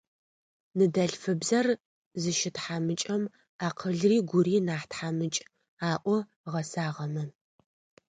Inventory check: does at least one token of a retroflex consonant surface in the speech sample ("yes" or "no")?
no